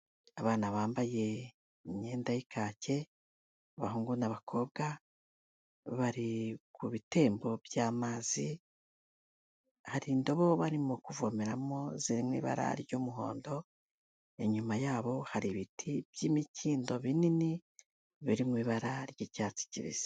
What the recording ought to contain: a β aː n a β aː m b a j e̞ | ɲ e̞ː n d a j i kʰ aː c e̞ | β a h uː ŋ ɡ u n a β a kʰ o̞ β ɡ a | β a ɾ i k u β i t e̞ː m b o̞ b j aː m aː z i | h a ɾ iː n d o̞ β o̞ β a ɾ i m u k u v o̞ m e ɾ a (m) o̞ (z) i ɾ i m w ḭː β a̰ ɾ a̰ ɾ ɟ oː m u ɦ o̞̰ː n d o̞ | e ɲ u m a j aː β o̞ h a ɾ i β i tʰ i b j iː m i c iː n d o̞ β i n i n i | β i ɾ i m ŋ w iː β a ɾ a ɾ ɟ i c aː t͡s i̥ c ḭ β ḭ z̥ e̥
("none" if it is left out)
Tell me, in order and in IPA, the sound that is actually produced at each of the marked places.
m, z

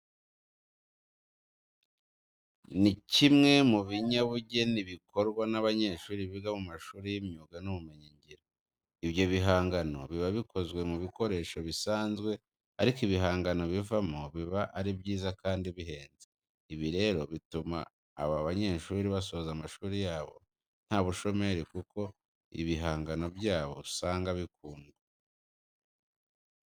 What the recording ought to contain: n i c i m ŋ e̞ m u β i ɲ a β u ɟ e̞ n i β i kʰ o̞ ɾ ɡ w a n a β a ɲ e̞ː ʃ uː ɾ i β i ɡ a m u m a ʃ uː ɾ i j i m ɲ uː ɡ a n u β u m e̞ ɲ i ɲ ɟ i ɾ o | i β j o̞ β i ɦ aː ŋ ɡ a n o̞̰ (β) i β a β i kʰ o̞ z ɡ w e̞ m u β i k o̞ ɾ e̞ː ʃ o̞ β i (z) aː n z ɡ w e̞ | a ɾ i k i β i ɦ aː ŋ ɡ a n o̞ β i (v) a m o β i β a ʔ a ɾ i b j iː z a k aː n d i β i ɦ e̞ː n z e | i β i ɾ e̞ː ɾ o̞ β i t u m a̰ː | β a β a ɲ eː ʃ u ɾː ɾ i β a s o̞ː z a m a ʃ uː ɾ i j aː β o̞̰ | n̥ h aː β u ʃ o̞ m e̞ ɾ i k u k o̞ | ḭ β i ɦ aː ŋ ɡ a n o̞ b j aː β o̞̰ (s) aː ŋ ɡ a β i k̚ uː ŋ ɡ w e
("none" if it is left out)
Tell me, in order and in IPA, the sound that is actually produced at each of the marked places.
β, s, v, s

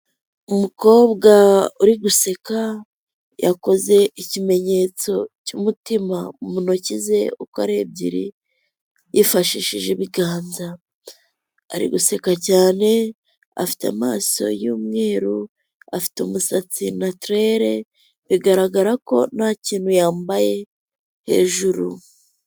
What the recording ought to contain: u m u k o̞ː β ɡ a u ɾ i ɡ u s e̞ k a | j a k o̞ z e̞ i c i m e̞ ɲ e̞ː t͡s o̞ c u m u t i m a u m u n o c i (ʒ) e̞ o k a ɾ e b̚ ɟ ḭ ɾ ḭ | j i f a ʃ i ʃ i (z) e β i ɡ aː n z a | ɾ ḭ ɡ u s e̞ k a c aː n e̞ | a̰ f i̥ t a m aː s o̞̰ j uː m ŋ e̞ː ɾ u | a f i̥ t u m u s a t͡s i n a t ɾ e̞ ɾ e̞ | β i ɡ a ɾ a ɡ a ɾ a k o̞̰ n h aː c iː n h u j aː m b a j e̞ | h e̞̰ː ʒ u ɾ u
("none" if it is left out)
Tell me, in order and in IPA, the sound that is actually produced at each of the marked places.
z, ʒ

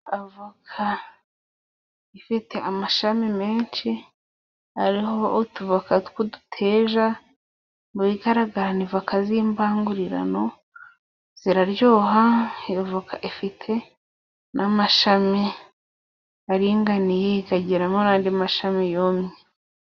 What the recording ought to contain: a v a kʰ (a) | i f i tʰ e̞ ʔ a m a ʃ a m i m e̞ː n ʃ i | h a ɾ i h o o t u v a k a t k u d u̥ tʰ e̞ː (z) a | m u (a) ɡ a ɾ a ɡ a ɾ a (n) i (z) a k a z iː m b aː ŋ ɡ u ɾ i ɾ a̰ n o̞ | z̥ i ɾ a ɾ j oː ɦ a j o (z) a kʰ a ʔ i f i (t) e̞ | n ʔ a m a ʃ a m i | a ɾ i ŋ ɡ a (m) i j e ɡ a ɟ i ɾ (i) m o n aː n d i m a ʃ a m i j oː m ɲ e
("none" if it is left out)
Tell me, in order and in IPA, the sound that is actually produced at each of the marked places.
a, ʒ, i, n, v, v, tʰ, n, a

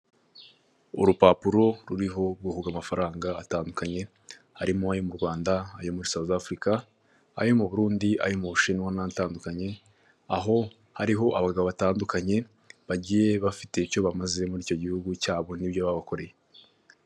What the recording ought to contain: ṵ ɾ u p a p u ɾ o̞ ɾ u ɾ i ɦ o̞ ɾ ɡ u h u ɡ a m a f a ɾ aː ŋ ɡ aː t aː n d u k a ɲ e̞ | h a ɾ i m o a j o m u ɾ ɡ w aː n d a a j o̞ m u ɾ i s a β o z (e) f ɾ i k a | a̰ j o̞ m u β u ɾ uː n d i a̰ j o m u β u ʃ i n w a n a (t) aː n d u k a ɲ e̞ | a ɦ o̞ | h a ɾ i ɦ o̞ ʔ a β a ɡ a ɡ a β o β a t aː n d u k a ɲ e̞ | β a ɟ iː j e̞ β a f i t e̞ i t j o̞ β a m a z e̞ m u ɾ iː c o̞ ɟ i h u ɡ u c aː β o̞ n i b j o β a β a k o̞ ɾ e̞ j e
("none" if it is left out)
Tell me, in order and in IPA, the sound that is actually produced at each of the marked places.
a, t

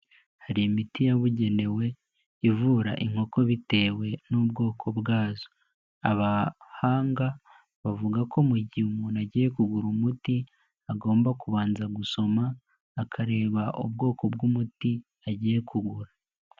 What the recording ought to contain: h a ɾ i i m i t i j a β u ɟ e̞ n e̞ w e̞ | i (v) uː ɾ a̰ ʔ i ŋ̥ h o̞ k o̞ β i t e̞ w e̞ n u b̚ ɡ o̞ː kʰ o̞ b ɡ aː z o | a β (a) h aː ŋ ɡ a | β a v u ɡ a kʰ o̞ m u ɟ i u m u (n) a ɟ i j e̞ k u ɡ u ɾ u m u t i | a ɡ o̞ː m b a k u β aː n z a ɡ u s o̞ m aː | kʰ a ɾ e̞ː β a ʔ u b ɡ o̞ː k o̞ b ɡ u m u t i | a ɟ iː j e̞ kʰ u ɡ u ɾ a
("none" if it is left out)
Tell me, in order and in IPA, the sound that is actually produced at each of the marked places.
v, a, n

